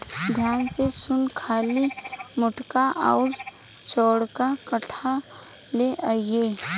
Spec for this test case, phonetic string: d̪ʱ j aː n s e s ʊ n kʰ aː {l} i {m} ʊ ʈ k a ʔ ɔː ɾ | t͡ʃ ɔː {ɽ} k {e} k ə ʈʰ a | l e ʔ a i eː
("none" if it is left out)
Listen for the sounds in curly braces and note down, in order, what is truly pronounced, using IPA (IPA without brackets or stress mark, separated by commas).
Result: l, m, ɽ, a